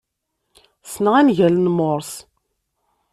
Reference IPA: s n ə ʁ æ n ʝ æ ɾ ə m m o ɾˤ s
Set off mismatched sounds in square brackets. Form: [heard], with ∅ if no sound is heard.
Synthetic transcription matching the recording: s n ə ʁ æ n ʝ æ [l] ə [n] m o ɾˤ s